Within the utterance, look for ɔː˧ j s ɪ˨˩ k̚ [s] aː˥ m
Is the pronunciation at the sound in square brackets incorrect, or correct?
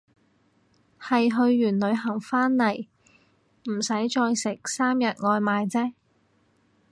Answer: correct